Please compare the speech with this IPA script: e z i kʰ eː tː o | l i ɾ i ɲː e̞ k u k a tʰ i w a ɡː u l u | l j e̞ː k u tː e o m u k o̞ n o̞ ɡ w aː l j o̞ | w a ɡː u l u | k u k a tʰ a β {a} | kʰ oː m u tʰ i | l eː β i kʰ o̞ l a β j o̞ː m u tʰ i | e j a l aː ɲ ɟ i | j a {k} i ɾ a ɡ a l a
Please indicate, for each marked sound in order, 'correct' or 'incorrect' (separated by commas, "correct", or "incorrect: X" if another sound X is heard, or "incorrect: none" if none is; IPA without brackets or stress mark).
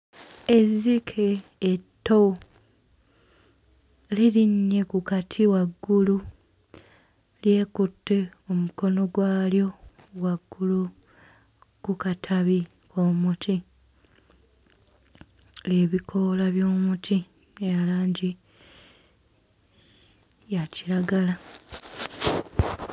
incorrect: i, incorrect: c